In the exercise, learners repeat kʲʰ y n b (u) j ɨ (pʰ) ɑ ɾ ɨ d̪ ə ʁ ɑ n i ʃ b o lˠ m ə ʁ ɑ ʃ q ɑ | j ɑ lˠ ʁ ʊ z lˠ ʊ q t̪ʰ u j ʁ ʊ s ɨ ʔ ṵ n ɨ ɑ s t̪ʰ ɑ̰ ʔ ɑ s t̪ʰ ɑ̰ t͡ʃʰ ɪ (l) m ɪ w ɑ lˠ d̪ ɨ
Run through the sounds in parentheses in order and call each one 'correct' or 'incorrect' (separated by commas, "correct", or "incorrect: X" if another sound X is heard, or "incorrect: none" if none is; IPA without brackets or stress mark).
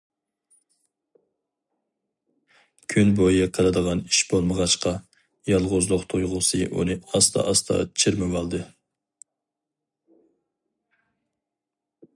incorrect: o, incorrect: qʰ, incorrect: ɾ